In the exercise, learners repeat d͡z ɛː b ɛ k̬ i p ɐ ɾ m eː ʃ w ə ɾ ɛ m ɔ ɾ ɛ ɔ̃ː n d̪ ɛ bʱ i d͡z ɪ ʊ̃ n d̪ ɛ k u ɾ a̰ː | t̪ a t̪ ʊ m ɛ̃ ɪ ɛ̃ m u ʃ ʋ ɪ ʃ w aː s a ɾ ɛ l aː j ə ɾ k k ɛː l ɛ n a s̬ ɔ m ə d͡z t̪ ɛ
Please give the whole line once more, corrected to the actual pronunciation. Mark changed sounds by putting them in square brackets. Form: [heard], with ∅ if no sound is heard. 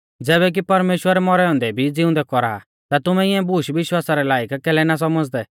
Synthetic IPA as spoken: d͡z ɛː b ɛ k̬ i p ɐ ɾ m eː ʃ w ə ɾ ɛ m ɔ ɾ ɛ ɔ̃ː n d̪ ɛ bʱ i d͡z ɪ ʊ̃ n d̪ ɛ k [ɔ] ɾ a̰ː | t̪ a t̪ ʊ m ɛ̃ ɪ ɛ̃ [b] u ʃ ʋ ɪ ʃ w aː s a ɾ ɛ l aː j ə [∅] k k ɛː l ɛ n a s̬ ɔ m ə d͡z [d̪] ɛ